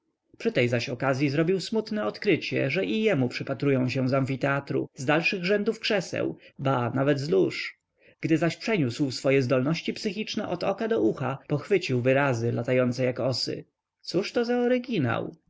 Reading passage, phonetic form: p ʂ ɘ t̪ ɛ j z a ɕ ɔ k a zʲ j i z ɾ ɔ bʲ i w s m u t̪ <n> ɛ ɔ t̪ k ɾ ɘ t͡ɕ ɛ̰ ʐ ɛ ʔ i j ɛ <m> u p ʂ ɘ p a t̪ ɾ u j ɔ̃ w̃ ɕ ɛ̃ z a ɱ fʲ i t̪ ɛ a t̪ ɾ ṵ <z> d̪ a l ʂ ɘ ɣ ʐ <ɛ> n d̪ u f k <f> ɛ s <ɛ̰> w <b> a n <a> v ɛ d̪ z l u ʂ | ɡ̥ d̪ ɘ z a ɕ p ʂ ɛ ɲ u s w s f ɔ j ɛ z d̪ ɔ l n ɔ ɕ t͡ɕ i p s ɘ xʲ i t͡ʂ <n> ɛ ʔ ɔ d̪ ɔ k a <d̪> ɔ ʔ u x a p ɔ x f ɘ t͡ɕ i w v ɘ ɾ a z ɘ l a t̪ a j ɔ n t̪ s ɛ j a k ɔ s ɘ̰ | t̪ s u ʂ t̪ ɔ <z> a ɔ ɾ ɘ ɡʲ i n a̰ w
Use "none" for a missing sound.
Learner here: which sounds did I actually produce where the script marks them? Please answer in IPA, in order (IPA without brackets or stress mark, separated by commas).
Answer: n, m, z, ɛ, ʂ, ɛ̰, b, a, n, d̪, z